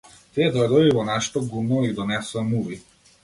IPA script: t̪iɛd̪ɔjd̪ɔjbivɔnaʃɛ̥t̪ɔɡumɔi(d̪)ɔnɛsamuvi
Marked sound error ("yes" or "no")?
no